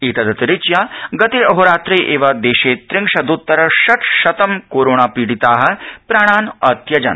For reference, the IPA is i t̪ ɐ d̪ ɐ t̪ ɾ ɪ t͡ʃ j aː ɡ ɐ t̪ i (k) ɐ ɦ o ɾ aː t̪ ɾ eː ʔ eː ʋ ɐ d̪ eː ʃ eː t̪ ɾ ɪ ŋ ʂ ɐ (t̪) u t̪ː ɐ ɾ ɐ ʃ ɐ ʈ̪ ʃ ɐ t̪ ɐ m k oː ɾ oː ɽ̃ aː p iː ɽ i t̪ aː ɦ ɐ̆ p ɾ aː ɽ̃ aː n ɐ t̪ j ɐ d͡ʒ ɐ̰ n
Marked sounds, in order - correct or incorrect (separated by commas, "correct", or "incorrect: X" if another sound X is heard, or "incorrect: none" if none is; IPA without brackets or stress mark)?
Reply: incorrect: none, incorrect: d̪